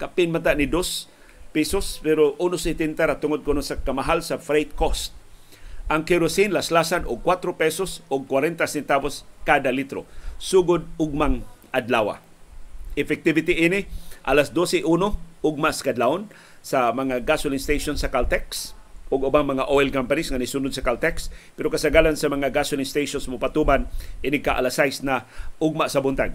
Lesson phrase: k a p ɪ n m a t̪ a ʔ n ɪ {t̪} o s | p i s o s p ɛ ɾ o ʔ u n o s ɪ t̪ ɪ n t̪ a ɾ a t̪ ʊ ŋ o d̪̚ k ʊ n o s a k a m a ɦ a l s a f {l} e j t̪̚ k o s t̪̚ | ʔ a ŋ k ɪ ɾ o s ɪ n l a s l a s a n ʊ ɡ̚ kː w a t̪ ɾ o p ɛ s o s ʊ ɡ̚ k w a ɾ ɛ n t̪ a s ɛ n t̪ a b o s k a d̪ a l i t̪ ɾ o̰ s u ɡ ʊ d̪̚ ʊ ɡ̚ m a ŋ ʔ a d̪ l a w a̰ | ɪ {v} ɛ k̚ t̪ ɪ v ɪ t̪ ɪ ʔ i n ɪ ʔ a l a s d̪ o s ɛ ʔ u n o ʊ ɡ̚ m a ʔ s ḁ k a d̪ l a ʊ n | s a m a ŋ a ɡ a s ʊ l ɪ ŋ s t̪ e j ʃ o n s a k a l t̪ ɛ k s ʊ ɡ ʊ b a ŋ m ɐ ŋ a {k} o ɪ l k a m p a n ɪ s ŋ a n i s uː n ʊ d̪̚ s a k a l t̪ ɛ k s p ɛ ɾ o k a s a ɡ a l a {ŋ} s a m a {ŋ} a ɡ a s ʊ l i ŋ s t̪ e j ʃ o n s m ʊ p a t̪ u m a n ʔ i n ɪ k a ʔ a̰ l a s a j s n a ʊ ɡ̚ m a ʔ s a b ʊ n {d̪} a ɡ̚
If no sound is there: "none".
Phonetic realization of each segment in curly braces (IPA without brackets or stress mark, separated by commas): d̪, ɾ, f, ʔ, n, ŋ, t̪